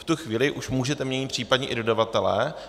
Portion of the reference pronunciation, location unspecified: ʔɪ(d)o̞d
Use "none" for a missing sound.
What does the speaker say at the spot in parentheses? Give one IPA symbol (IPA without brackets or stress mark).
d